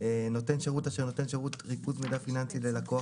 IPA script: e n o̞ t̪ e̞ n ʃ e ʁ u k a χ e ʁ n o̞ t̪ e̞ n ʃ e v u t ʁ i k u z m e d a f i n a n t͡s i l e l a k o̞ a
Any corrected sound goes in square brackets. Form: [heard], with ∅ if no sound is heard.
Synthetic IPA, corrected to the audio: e n o̞ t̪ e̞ n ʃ e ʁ u [t] a [ʃ] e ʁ n o̞ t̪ e̞ n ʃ e [ʁ] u t ʁ i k u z m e d a f i n a n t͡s i l e l a k o̞ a